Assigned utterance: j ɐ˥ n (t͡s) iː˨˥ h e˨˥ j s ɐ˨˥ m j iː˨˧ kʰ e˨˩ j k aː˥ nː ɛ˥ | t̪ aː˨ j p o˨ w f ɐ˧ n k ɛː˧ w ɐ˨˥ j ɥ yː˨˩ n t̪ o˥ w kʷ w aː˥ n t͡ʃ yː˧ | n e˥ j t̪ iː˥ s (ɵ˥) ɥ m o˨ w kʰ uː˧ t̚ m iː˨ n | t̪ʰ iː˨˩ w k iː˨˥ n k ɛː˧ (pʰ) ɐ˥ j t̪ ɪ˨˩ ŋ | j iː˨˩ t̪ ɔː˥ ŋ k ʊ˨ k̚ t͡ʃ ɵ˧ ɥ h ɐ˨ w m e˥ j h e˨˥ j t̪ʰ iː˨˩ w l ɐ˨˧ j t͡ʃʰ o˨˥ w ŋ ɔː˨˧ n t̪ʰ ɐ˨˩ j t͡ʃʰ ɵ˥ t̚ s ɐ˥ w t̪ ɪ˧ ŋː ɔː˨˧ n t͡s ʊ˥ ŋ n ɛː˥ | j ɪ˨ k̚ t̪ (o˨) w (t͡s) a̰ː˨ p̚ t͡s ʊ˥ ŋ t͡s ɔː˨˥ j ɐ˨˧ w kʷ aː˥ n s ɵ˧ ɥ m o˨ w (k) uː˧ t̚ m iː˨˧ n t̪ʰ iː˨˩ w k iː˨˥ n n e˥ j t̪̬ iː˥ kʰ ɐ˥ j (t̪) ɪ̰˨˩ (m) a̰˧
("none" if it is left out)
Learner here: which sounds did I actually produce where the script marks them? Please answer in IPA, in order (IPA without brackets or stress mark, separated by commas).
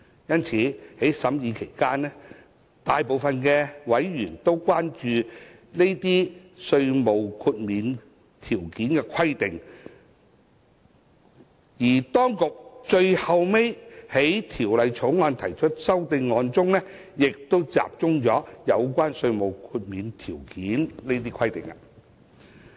t͡sʰ, ɵ˧, kʰ, o˥, t͡s, kʰ, t̪, ŋ